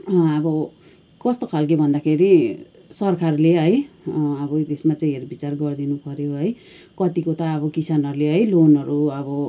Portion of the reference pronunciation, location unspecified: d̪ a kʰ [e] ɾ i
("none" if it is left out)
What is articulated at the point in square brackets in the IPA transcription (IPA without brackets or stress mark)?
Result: e